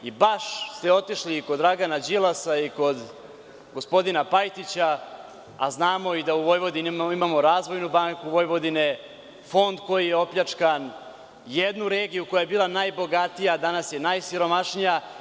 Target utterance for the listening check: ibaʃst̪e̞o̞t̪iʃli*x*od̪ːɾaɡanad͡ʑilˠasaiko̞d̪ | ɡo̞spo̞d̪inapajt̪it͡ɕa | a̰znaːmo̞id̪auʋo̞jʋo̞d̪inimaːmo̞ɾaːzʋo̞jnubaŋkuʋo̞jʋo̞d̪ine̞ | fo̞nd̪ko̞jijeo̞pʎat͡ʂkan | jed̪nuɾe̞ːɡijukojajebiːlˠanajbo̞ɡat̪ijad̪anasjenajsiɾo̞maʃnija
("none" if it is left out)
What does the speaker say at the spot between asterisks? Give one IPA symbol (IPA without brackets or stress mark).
k